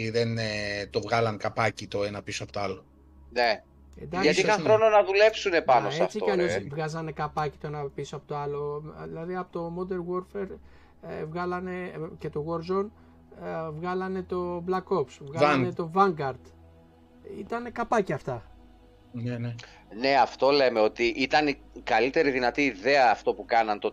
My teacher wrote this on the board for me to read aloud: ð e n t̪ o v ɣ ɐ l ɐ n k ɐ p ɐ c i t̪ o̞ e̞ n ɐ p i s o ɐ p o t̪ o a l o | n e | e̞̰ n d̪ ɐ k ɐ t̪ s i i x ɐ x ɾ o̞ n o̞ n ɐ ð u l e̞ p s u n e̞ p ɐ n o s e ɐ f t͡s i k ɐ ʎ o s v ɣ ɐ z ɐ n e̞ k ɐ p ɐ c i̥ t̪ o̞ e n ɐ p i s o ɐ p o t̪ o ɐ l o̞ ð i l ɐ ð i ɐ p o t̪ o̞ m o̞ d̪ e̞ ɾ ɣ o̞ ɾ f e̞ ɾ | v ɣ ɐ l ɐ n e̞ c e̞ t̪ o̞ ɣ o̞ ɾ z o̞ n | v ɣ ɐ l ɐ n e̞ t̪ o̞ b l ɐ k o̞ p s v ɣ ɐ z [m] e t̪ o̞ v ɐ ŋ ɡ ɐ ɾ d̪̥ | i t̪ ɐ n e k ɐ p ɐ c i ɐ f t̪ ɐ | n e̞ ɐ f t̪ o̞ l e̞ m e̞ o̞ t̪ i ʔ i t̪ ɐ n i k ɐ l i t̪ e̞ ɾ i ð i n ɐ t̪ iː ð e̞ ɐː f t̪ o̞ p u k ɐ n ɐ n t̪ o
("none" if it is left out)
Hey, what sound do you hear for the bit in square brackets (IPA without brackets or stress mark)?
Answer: n